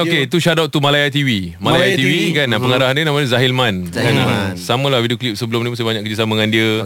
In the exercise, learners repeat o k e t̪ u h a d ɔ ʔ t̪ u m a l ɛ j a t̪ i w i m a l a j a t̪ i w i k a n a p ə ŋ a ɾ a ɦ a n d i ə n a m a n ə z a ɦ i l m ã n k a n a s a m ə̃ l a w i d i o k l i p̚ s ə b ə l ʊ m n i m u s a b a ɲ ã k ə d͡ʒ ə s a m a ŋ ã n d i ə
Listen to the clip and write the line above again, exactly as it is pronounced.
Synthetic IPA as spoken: o k e t̪ u ʃ a d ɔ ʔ t̪ u m a l a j a t̪ i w i m a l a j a t̪ i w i k a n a p ə ŋ a ɾ a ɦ a n d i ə n a m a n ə z a ɦ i l m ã n k a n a s a m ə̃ l a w i d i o k l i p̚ s ə b ə l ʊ m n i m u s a b a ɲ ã k ə d͡ʒ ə s a m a ŋ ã n d i ə